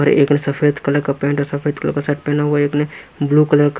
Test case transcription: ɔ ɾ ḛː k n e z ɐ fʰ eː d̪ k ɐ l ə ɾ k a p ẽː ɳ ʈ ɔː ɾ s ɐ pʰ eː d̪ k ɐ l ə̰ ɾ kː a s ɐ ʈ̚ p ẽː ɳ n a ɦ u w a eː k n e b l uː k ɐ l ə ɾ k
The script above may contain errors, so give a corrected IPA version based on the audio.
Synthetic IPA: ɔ ɾ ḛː k n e s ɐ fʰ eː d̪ k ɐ l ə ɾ k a p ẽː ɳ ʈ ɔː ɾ s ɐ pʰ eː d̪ k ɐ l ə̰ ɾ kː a s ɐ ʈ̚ p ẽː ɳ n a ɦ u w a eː k n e b l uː k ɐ l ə ɾ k